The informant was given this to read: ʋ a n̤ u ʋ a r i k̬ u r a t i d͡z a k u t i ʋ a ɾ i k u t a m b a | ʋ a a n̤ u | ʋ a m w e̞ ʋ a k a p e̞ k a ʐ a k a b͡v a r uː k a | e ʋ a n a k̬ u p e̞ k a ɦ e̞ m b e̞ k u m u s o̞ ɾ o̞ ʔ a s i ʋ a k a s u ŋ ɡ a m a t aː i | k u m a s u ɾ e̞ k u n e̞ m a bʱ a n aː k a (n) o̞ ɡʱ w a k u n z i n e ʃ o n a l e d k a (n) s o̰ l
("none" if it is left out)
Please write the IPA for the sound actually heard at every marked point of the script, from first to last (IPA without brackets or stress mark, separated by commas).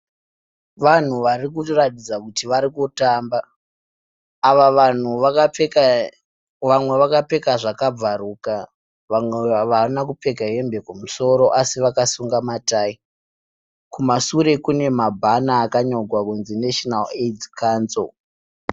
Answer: ɲ, n